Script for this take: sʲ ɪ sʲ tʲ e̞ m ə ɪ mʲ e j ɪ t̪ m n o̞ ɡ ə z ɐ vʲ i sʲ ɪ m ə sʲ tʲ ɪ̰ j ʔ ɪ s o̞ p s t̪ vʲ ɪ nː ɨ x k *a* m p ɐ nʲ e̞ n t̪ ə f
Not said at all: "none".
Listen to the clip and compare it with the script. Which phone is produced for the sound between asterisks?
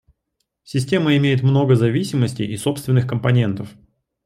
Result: ə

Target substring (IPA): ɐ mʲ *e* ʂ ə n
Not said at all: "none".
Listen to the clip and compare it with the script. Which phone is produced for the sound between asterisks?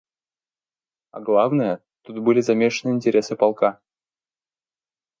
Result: e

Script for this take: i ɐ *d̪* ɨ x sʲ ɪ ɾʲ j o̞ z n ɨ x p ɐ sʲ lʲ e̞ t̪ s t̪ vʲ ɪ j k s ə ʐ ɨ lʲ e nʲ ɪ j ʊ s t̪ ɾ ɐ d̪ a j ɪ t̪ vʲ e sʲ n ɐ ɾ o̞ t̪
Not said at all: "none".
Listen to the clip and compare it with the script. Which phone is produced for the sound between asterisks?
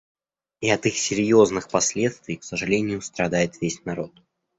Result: t̪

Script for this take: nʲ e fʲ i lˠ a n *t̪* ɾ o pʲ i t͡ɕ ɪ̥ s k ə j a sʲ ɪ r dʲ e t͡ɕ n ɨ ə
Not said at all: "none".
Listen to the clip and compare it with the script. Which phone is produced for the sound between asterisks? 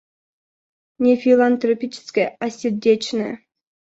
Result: t̪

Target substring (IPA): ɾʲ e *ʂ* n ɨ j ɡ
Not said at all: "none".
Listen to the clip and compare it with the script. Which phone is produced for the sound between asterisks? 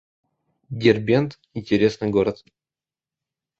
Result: s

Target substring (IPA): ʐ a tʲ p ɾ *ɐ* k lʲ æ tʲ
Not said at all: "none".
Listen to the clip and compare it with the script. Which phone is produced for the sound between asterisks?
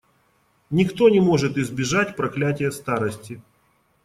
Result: ɐ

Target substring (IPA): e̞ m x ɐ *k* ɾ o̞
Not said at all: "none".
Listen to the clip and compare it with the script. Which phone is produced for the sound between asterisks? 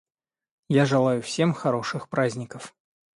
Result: none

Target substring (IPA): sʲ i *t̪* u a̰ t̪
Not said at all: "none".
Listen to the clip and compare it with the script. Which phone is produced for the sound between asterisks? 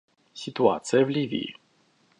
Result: t̪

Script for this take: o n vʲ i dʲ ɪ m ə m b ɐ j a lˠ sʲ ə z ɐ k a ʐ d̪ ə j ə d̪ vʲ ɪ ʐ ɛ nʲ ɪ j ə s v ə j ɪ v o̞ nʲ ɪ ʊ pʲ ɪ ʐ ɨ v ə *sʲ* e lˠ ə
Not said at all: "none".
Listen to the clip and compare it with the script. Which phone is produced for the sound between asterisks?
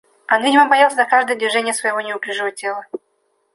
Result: tʲ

